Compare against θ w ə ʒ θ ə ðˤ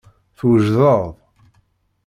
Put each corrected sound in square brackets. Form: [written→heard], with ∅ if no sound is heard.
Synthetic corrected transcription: θ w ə ʒ [θ→ð] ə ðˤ